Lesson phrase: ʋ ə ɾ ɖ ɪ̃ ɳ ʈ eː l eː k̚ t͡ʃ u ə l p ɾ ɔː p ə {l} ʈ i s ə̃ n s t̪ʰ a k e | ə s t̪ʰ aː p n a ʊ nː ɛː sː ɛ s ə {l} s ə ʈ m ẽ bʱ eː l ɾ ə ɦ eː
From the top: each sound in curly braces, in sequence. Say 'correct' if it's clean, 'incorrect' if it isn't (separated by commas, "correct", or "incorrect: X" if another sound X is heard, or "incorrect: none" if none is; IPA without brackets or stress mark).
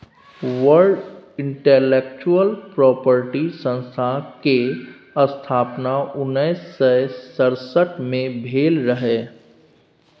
incorrect: ɾ, incorrect: ɾ